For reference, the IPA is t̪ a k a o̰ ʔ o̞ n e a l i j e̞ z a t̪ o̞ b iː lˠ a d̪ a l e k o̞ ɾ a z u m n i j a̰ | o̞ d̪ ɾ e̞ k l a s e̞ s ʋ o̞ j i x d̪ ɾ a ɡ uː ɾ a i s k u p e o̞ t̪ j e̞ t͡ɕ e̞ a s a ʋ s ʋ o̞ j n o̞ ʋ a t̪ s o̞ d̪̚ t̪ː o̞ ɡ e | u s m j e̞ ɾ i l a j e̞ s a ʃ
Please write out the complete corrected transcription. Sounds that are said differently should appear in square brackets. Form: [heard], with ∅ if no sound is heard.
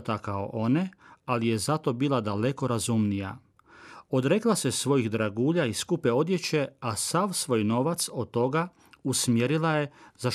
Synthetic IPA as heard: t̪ a k a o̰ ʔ o̞ n e a l i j e̞ z a t̪ o̞ b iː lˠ a d̪ a l e k o̞ ɾ a z u m n i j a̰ | o̞ d̪ ɾ e̞ k l a s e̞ s ʋ o̞ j i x d̪ ɾ a ɡ uː [ʎ] a i s k u p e o̞ [d̪] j e̞ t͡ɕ e̞ a s a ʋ s ʋ o̞ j n o̞ ʋ a t̪ s o̞ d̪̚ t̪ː o̞ ɡ [a] | u s m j e̞ ɾ i l a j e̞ [z] a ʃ